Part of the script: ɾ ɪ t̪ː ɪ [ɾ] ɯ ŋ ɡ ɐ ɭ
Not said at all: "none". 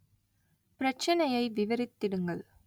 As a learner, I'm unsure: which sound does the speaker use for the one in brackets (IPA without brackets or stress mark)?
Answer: ɽ